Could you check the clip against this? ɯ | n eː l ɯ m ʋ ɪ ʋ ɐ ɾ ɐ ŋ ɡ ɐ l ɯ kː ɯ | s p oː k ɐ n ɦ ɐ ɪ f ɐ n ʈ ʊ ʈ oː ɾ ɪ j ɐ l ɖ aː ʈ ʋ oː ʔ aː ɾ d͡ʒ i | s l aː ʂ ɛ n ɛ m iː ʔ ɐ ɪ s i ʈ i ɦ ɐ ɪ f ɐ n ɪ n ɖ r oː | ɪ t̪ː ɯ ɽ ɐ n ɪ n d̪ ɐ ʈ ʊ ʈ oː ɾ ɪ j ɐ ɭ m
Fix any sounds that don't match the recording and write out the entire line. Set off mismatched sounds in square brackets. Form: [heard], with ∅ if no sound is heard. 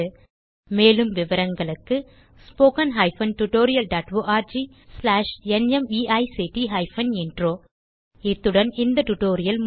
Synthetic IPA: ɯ | [m] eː l ɯ m ʋ ɪ ʋ ɐ ɾ ɐ ŋ ɡ ɐ [ɭ] ɯ kː ɯ | s p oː k ɐ n ɦ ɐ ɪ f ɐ n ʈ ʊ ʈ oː ɾ ɪ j ɐ l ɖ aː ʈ ʋ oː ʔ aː ɾ d͡ʒ i | s l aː ʂ ɛ n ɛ m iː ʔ ɐ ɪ s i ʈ i ɦ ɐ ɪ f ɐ n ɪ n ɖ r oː | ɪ t̪ː ɯ ɽ ɐ n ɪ n d̪ ɐ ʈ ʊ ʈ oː ɾ ɪ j ɐ [l] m